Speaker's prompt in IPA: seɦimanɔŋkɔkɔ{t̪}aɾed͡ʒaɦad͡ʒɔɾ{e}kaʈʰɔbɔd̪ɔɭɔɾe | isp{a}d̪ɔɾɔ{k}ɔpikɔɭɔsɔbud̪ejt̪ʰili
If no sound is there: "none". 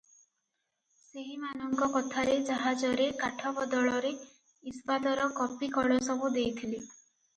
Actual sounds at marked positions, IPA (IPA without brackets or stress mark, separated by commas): t̪ʰ, e, a, k